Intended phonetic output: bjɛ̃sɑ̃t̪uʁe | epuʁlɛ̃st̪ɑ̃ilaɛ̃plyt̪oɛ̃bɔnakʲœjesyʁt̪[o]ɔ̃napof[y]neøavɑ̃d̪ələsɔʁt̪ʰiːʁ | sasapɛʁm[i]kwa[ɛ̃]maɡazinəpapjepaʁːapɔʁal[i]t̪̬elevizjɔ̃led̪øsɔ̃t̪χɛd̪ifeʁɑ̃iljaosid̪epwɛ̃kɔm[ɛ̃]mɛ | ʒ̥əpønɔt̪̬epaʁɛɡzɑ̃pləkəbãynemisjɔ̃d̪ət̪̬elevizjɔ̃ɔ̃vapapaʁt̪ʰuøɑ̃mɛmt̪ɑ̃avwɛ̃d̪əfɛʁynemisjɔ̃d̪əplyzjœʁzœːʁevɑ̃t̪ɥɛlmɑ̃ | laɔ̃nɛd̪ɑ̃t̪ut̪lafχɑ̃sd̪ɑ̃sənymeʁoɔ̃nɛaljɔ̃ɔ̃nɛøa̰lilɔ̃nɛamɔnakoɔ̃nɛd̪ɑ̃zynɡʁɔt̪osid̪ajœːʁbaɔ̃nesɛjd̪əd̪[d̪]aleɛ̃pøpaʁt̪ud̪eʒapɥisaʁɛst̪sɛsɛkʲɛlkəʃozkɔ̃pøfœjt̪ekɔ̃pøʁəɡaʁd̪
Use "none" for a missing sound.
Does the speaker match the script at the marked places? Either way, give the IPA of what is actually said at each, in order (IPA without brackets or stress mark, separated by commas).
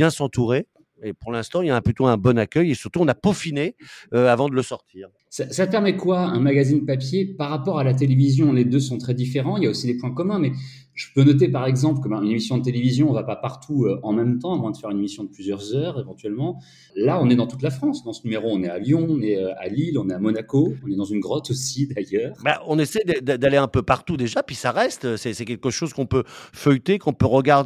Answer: u, i, ɛ, ɛ̃, a, ɛ̃, d̪